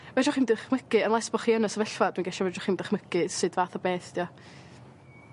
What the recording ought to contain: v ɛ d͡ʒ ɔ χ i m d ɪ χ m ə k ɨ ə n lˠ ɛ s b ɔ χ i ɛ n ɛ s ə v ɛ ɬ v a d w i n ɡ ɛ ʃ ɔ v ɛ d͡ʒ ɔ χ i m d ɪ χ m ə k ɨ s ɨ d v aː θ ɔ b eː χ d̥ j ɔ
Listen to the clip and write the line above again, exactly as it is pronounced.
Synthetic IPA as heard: v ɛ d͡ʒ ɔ χ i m d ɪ χ m ə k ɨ ə n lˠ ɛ s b ɔ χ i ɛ n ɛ s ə v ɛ ɬ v a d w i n ɡ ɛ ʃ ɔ v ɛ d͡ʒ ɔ χ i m d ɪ χ m ə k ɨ s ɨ d v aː θ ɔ b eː θ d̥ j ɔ